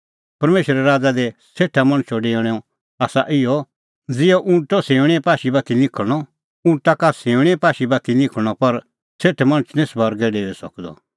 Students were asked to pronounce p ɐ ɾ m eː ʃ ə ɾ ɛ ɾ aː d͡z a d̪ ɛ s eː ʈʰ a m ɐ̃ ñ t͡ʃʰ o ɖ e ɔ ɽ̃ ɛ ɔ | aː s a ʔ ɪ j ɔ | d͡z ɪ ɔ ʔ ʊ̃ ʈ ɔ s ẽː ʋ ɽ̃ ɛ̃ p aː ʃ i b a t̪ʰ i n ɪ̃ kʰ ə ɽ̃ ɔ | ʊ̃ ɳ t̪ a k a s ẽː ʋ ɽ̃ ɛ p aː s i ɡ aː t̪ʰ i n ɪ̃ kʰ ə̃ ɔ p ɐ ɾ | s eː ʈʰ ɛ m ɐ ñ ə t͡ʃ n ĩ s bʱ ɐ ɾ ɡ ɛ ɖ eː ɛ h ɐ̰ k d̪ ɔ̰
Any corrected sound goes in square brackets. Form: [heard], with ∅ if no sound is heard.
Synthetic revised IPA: p ɐ ɾ m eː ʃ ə ɾ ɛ ɾ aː d͡z a d̪ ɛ s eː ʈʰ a m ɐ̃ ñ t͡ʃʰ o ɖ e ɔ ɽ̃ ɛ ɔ | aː s a ʔ ɪ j ɔ | d͡z ɪ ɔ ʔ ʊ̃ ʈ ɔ s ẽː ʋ ɽ̃ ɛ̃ p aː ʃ i b a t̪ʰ i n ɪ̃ kʰ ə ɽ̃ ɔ | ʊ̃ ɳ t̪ a k a s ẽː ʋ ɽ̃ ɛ p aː [ʃ] i [b] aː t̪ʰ i n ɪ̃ kʰ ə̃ ɔ p ɐ ɾ | s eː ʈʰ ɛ m ɐ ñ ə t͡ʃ n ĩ s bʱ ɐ ɾ ɡ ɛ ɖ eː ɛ [s] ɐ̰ k d̪ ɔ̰